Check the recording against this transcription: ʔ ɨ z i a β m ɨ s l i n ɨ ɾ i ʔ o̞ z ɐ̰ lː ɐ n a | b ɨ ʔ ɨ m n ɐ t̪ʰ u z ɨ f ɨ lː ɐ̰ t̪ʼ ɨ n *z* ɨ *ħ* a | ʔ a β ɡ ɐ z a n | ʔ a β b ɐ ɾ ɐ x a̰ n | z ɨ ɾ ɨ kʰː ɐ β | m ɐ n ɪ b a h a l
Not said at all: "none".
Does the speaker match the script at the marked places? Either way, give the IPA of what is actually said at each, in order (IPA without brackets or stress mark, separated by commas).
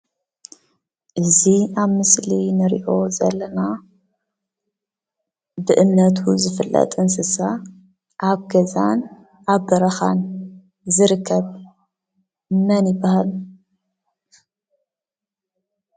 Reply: s, s